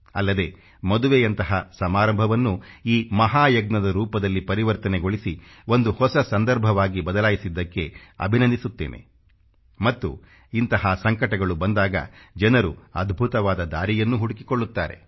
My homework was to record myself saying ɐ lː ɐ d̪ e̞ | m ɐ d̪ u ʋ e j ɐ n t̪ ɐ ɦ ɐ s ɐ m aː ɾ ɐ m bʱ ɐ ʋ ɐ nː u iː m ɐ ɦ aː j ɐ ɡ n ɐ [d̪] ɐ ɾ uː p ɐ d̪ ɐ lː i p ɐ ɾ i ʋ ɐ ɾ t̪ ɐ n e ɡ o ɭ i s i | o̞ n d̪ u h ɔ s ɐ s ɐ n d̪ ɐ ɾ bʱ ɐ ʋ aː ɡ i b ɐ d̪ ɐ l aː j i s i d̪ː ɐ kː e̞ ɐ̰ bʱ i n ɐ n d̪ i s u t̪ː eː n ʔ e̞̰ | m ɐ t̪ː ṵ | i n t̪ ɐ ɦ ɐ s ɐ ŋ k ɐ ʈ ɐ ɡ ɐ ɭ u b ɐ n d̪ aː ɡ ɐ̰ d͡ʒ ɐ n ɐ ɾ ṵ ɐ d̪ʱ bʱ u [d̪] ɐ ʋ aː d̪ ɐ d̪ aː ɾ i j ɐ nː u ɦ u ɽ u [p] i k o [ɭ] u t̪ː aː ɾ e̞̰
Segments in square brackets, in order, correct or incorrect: correct, incorrect: t̪, incorrect: k, incorrect: ɭː

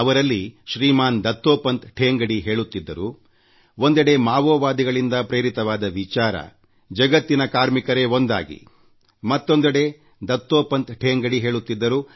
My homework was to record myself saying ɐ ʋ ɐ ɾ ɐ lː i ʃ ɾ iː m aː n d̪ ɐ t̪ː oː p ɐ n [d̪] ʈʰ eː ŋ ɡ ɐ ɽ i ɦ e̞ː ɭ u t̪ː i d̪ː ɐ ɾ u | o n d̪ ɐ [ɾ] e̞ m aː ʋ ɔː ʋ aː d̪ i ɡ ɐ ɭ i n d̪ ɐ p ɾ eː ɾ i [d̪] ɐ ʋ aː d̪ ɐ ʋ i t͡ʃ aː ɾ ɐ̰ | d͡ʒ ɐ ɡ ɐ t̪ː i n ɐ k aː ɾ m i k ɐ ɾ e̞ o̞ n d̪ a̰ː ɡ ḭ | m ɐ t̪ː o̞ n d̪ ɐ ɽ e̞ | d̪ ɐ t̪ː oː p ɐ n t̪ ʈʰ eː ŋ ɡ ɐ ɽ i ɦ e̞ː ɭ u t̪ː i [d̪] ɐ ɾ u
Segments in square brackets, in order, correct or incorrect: incorrect: t̪, incorrect: ɽ, incorrect: t̪, incorrect: d̪ː

